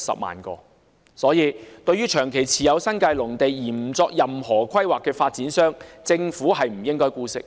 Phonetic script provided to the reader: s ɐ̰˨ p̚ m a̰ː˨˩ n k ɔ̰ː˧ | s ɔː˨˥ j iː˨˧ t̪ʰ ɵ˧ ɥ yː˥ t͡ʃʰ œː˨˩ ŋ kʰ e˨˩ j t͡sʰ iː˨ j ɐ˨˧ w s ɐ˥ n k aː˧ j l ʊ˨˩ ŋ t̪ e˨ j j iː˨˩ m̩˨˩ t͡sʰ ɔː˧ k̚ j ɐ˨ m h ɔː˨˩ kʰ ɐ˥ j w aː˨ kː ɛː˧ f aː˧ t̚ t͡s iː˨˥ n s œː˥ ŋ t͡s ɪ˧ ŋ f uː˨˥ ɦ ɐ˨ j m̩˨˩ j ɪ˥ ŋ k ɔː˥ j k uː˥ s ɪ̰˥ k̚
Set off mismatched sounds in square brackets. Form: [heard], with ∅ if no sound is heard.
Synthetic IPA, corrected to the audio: s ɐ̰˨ p̚ m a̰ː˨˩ n k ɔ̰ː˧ | s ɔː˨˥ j iː˨˧ [t̪] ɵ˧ ɥ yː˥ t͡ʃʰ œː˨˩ ŋ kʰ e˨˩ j t͡sʰ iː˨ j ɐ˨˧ w s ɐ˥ n k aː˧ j l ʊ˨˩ ŋ t̪ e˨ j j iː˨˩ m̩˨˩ [t͡s] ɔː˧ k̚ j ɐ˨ m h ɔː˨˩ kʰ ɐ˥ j w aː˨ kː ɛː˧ f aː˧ t̚ t͡s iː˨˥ n s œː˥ ŋ t͡s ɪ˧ ŋ f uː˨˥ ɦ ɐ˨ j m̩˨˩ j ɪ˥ ŋ k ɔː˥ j k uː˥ s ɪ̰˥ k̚